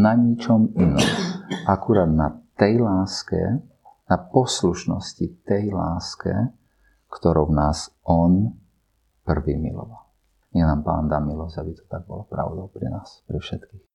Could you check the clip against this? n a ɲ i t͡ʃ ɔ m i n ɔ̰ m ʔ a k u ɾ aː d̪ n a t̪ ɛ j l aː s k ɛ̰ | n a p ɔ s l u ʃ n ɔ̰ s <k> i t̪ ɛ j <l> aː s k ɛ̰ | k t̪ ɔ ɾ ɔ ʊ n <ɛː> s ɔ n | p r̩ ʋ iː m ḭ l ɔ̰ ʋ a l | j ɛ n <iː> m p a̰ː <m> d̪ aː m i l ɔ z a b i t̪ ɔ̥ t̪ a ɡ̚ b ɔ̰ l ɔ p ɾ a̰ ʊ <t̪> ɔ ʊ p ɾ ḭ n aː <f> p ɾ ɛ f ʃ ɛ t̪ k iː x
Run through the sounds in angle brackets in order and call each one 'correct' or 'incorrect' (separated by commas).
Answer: incorrect, correct, incorrect, incorrect, incorrect, incorrect, incorrect